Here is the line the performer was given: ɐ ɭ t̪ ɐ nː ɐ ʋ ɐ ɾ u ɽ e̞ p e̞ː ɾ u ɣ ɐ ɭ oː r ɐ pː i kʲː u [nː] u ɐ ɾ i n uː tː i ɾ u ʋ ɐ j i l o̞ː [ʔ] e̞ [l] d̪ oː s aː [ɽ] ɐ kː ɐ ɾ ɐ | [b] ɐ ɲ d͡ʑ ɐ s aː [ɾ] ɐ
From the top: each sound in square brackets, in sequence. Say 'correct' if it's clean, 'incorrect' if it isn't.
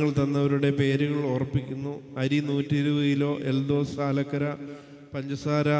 correct, correct, correct, incorrect: l, incorrect: p, correct

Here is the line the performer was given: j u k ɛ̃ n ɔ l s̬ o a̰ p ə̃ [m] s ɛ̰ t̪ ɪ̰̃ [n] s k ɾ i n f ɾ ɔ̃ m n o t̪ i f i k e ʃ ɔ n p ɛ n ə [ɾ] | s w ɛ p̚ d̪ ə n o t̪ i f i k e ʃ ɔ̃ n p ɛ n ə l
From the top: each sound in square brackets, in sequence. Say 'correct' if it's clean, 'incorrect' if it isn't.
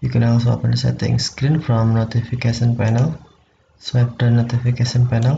incorrect: n, incorrect: ŋ, incorrect: l

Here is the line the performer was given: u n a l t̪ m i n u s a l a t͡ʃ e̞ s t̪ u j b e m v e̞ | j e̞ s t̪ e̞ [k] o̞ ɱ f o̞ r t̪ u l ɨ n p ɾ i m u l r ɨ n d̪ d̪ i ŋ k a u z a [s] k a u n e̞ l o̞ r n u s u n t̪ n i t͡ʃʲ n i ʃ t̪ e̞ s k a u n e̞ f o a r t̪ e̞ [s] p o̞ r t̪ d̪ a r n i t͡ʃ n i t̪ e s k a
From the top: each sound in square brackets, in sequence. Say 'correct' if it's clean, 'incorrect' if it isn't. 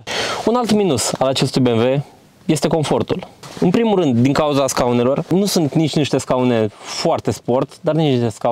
correct, correct, correct

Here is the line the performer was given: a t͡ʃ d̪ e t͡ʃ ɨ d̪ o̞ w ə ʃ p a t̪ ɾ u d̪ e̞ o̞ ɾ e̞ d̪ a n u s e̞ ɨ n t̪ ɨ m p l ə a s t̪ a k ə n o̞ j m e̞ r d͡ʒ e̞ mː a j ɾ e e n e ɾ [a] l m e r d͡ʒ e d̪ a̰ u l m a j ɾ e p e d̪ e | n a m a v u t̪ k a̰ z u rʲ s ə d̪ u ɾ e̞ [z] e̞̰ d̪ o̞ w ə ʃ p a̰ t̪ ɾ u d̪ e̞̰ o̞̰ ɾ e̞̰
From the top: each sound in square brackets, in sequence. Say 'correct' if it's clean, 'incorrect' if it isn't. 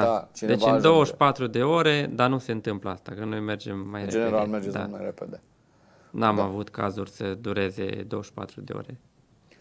correct, correct

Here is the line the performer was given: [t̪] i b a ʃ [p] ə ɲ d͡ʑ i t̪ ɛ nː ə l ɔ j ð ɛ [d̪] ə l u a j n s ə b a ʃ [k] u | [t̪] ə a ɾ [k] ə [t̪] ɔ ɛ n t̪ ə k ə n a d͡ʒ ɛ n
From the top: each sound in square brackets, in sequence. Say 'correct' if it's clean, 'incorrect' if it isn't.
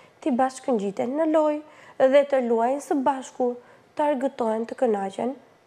correct, incorrect: k, incorrect: t̪, correct, correct, incorrect: ɡ, correct

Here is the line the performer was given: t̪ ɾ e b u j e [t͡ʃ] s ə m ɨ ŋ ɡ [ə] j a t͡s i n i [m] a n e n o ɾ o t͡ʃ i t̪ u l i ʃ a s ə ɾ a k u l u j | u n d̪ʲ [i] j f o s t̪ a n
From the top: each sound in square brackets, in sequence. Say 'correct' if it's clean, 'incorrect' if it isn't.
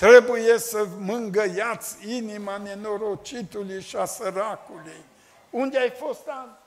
incorrect: none, correct, correct, incorrect: a

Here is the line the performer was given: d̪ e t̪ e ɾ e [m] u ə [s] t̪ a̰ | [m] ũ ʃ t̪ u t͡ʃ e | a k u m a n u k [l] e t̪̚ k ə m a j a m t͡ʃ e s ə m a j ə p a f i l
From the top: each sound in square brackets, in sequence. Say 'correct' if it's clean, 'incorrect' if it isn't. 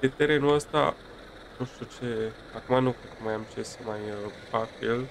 incorrect: n, correct, incorrect: n, incorrect: ɾ

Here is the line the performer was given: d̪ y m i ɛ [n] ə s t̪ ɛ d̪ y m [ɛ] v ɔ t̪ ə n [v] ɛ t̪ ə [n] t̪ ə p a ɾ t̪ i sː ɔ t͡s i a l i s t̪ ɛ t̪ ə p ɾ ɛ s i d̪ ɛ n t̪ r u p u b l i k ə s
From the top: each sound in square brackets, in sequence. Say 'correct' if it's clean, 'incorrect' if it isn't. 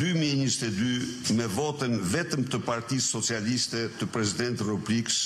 incorrect: ɲ, correct, correct, incorrect: m

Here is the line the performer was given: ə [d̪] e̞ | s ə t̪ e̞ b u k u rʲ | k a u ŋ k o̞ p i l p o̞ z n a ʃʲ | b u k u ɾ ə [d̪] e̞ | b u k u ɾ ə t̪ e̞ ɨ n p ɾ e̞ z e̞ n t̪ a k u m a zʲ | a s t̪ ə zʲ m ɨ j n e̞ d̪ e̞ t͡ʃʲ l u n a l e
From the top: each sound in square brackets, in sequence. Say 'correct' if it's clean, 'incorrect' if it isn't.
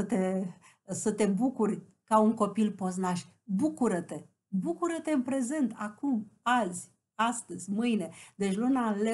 incorrect: t̪, incorrect: t̪

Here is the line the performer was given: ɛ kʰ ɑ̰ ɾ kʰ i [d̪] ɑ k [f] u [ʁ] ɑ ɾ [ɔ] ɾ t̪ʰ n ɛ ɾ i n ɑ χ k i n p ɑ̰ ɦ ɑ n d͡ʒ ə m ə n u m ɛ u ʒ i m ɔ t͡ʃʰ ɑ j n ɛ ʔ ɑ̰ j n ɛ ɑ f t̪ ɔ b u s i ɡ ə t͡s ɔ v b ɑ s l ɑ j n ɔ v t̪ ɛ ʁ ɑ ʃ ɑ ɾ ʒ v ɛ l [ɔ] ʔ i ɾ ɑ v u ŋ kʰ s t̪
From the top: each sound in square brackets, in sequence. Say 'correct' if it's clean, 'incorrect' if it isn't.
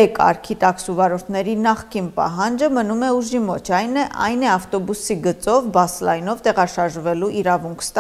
incorrect: t̪, incorrect: s, incorrect: v, correct, incorrect: u

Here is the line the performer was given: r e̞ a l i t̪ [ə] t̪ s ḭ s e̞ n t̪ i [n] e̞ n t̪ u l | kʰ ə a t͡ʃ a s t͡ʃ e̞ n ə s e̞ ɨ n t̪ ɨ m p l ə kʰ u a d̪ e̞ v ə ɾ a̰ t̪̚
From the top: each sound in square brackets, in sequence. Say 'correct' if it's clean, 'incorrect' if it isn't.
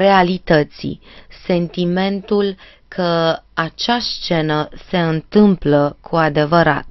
correct, incorrect: m

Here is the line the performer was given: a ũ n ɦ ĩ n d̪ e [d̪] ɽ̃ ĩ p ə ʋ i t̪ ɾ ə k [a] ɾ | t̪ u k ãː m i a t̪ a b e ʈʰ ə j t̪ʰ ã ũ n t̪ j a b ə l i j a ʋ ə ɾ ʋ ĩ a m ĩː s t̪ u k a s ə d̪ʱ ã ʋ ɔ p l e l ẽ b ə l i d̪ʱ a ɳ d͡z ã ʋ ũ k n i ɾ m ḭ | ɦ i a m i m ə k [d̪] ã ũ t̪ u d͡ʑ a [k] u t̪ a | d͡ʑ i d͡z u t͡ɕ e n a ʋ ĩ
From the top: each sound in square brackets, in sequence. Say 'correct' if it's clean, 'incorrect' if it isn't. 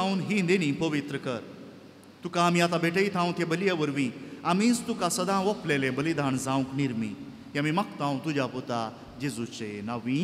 incorrect: none, incorrect: ə, incorrect: t̪, incorrect: p

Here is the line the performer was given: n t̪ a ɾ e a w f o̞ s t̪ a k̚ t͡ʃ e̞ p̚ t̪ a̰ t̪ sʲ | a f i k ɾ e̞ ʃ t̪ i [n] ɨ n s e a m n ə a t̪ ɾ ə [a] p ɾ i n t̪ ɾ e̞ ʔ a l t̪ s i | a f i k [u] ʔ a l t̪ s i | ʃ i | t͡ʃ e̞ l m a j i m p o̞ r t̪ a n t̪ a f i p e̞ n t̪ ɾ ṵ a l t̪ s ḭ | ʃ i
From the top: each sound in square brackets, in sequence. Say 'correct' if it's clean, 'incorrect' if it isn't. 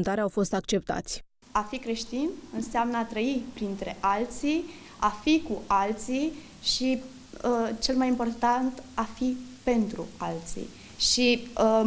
correct, incorrect: i, correct

